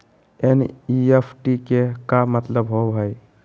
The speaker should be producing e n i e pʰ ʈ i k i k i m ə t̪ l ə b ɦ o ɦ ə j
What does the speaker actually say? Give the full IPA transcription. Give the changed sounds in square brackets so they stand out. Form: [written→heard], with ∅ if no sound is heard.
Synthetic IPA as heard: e n i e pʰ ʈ i k [i→e] k [i→a] m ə t̪ l ə b ɦ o ɦ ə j